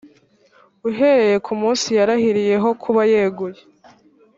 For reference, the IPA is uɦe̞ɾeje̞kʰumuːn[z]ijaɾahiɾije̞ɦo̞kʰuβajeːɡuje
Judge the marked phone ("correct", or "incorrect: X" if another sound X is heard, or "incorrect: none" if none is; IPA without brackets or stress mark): incorrect: s